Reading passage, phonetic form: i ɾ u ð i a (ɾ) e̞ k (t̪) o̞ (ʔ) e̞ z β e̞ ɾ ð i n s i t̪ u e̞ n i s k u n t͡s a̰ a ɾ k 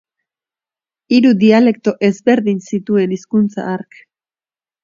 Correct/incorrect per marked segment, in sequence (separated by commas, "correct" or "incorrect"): incorrect, correct, correct